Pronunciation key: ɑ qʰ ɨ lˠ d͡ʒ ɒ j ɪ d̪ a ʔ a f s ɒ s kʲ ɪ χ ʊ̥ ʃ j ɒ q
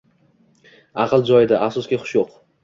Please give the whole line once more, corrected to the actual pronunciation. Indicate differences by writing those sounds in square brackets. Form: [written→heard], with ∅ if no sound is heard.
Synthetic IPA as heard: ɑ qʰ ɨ lˠ d͡ʒ ɒ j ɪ d̪ a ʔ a f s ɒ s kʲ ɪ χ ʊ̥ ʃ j [ɒ→o] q